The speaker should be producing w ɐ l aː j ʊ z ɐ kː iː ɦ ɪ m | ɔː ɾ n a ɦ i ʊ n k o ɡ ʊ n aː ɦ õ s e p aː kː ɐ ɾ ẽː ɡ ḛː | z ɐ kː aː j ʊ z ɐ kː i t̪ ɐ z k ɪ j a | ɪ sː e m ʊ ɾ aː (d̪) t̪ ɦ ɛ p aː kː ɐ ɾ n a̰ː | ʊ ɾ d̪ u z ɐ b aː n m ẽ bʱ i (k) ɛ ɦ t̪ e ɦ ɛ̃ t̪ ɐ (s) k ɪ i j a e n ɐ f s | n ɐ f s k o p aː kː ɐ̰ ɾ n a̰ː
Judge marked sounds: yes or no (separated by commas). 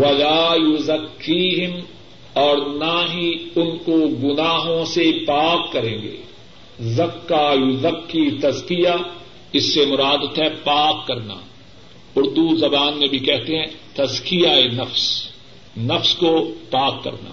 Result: yes, yes, no